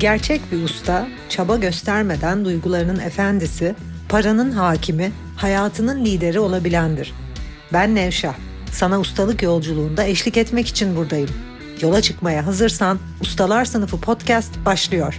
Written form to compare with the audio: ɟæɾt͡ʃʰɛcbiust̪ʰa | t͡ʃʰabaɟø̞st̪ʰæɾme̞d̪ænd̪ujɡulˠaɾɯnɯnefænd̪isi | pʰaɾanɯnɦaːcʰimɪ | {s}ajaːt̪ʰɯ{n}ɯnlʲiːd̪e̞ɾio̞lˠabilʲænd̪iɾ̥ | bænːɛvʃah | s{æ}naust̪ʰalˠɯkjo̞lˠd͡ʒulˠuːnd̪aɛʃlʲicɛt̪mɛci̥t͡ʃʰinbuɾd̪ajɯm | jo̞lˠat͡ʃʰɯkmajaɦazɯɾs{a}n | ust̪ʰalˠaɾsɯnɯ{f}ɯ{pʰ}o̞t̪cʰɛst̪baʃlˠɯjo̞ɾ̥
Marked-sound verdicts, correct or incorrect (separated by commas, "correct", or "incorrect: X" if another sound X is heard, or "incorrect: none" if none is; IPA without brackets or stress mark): incorrect: h, correct, incorrect: a, correct, correct, correct